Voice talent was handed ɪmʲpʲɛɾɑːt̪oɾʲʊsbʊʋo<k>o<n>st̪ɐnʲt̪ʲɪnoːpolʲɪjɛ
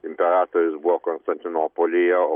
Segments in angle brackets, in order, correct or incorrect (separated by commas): correct, correct